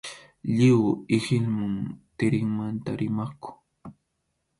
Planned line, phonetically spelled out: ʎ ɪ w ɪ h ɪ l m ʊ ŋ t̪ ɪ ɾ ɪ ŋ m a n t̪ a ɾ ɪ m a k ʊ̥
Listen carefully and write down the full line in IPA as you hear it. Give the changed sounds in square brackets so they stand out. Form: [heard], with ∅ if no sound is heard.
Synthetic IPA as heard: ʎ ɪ w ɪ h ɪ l m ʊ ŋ t̪ ɪ ɾ ɪ ŋ m a n t̪ a ɾ ɪ m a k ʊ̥